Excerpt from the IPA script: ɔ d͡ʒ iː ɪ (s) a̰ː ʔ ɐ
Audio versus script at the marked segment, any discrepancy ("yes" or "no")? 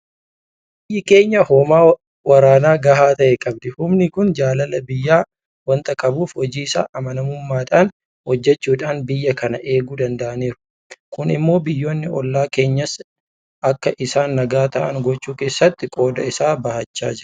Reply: no